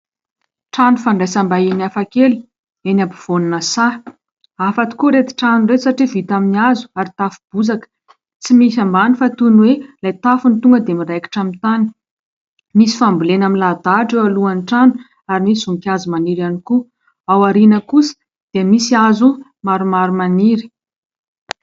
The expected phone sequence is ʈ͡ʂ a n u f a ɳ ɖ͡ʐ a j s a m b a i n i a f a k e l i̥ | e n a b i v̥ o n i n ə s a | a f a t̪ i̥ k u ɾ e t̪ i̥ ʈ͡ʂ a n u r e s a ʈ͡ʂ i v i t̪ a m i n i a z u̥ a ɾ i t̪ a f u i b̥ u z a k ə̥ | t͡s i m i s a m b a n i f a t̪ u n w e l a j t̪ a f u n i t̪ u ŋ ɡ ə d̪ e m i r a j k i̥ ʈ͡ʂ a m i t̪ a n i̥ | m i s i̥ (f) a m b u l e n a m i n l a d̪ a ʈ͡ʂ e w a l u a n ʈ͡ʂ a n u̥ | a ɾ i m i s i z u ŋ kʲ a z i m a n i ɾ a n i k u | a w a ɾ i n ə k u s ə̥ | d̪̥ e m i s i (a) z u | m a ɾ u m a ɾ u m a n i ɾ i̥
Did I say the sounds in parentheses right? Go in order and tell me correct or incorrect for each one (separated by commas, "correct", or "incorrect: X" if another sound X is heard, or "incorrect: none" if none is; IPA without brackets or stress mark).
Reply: correct, correct